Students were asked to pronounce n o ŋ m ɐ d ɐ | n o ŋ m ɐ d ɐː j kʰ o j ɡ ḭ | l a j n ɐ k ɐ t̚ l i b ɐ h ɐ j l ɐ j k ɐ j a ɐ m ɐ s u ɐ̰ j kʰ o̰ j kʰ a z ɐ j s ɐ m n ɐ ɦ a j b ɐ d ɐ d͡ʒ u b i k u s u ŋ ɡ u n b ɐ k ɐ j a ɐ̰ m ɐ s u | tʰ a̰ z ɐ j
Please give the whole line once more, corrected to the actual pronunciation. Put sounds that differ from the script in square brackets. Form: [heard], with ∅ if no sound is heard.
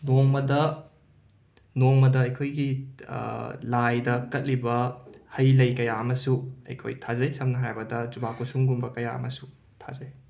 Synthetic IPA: n o ŋ m ɐ d ɐ | n o ŋ m ɐ d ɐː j kʰ o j ɡ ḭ | l a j [d] ɐ k ɐ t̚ l i b ɐ h ɐ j l ɐ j k ɐ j a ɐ m ɐ s u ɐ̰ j kʰ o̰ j [tʰ] a z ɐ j s ɐ m n ɐ ɦ a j b ɐ d ɐ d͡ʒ u b [a] k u s u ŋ ɡ u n b ɐ k ɐ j a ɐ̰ m ɐ s u | tʰ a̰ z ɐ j